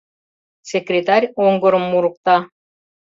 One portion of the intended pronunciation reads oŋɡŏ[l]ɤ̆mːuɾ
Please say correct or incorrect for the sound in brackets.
incorrect